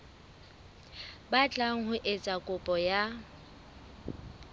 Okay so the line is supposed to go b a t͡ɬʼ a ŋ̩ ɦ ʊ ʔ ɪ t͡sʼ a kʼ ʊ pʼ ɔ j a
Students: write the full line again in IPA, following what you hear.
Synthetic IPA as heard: b a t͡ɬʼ a ŋ̩ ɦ ʊ ʔ ɪ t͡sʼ a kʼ ʊ pʼ ɔ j a